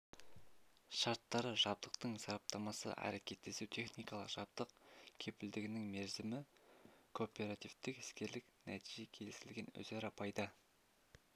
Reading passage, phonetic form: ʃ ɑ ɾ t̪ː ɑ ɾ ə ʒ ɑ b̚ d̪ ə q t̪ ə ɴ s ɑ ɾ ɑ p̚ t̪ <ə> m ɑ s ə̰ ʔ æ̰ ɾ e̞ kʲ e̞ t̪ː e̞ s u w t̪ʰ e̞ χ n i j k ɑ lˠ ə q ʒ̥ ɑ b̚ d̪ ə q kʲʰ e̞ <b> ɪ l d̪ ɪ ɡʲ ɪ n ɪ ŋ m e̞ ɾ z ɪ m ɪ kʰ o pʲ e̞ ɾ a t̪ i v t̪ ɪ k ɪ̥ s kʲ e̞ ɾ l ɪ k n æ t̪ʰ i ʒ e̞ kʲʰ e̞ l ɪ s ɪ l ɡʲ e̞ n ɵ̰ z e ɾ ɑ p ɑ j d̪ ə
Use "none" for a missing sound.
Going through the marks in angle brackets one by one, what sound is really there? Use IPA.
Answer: ɑ, p

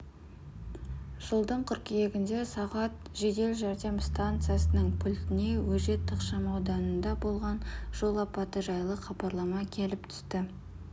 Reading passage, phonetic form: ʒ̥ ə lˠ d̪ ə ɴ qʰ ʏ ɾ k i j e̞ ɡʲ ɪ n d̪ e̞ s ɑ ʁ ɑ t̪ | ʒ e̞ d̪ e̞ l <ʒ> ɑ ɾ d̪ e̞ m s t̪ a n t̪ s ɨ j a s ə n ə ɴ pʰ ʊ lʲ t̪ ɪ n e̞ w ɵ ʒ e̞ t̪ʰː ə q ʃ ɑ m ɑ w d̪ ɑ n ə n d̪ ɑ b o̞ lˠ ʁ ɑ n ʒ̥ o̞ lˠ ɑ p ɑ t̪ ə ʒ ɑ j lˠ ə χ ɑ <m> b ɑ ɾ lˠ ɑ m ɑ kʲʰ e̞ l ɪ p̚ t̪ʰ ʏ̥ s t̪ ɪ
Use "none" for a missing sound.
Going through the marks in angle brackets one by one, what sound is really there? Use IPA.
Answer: ʒ, none

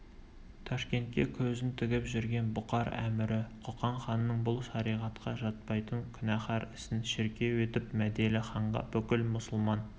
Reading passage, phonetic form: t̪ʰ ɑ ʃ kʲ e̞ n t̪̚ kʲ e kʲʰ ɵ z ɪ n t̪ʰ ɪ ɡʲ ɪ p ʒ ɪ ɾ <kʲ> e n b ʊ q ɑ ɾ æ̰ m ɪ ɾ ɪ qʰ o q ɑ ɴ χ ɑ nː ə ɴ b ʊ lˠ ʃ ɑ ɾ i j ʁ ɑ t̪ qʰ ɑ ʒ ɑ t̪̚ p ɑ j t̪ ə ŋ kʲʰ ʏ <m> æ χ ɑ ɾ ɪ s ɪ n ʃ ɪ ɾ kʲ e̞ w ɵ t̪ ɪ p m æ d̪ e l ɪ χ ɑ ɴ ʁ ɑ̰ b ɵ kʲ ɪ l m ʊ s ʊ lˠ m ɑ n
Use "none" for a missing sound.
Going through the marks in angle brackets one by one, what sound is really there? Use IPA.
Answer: ɡʲ, n

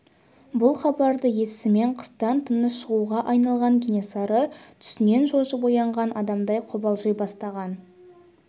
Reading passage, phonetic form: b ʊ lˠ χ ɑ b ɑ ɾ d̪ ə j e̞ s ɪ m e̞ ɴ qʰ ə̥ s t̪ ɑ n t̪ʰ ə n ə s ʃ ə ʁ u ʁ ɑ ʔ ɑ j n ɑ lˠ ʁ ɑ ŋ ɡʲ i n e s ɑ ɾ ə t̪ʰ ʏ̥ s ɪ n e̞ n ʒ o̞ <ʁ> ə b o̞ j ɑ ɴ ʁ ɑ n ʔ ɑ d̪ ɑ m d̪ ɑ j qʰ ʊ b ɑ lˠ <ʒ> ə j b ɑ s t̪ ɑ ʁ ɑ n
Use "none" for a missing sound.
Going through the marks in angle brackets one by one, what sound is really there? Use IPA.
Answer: ʒ, ʒ

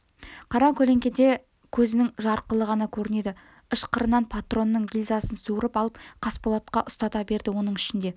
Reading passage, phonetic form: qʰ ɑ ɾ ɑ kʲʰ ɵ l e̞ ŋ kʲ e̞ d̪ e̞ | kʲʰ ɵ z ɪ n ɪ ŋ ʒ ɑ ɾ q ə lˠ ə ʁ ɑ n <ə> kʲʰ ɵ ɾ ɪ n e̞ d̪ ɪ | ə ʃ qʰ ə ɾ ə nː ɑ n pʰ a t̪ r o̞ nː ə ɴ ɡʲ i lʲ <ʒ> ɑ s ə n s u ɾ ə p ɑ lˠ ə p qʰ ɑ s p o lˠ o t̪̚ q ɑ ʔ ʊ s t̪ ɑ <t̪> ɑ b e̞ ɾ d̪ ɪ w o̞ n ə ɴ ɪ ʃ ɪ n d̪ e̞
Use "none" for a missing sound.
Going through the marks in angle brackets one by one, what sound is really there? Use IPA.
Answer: ɑ, z, t̪

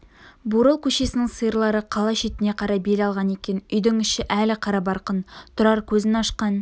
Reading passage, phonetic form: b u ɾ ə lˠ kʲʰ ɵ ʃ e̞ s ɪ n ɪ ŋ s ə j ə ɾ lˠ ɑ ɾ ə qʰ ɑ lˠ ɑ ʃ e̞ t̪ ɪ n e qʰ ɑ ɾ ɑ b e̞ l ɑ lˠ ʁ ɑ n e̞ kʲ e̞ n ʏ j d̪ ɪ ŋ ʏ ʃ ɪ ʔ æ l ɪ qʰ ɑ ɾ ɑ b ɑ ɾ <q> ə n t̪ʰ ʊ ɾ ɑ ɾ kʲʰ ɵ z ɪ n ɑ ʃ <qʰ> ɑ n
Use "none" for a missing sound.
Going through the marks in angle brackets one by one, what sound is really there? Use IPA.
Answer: q, q

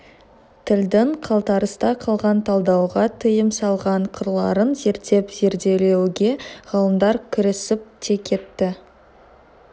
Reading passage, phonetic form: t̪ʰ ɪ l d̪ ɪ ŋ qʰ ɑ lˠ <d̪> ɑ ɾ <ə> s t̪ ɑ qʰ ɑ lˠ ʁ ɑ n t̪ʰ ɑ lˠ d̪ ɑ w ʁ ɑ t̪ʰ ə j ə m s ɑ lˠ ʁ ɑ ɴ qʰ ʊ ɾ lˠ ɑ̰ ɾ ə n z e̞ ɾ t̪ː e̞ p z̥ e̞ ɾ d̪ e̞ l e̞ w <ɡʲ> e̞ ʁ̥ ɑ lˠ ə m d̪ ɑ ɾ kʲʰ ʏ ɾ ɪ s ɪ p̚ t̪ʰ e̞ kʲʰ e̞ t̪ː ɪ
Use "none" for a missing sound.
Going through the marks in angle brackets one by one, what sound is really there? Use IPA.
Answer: t̪, ə, ɡʲ

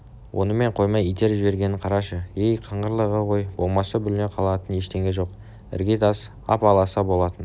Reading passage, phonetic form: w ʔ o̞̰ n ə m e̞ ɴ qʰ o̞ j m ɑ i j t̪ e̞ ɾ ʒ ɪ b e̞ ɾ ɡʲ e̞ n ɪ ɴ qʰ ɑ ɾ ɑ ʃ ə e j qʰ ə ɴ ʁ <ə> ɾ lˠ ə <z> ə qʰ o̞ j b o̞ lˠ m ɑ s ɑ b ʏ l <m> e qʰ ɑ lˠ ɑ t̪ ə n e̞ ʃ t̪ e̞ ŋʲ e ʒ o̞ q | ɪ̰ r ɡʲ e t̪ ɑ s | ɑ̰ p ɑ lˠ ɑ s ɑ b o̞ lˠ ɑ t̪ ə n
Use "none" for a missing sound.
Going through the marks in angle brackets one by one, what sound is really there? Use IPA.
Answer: ə, ʁ, n

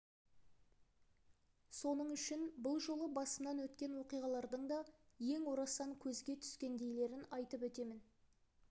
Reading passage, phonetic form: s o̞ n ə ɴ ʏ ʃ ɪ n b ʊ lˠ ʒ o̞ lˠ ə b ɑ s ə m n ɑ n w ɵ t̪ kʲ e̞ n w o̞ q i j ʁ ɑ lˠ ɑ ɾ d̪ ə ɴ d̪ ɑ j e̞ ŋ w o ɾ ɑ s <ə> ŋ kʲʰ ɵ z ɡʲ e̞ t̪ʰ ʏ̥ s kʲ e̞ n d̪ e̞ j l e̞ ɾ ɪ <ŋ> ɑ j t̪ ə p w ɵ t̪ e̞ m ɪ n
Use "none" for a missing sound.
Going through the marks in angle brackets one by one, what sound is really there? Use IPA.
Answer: ɑ, n

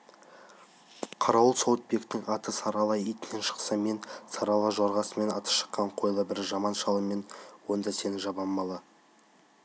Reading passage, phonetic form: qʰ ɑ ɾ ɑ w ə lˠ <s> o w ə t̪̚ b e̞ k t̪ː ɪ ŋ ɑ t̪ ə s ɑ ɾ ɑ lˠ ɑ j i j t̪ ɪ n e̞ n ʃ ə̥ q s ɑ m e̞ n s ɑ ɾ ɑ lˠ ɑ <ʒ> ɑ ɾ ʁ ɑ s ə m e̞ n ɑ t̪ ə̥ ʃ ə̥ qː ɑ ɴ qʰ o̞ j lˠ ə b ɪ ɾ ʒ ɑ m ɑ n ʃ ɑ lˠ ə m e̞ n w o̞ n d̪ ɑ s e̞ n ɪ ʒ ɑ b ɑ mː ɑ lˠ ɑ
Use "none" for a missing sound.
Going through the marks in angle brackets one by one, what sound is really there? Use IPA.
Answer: s, ʒ

